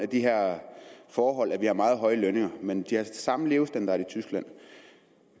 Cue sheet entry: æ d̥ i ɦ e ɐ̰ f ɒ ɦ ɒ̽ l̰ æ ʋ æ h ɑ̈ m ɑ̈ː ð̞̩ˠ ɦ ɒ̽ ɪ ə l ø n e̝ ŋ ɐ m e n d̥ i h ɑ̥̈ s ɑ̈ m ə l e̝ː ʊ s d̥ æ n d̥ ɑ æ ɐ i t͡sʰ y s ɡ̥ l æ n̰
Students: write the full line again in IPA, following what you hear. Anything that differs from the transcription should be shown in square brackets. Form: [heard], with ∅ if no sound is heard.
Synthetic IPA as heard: æ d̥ i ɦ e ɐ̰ f [ɒː] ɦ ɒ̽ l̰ æ ʋ [i] h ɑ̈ m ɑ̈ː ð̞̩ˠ ɦ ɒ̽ ɪ ə l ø n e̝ ŋ ɐ m e n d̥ i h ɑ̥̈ s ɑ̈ m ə l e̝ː ʊ s d̥ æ n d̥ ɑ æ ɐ i t͡sʰ y s ɡ̥ l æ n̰